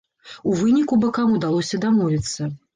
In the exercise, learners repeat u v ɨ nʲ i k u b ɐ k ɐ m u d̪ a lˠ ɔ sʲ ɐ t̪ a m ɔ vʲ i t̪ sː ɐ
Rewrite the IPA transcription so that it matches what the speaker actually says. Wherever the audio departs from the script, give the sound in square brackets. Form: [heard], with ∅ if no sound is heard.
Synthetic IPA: u v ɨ nʲ i k u b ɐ k [a] m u d̪ a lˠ ɔ sʲ ɐ [d̪] a m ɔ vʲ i t̪ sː ɐ